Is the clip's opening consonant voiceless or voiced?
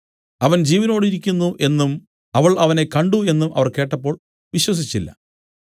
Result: voiced